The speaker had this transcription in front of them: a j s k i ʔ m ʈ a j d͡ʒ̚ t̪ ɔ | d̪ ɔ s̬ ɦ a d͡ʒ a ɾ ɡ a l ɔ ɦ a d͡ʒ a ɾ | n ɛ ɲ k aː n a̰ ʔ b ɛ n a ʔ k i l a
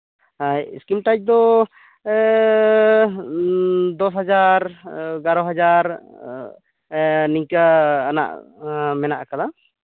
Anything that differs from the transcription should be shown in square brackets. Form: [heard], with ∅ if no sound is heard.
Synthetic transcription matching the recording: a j s k i [∅] m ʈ a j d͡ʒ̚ [d̪] ɔ | d̪ ɔ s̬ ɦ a d͡ʒ a ɾ ɡ a [ɾ] ɔ ɦ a d͡ʒ a ɾ | n [i] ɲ k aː n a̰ ʔ [m] ɛ n a ʔ k [a] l a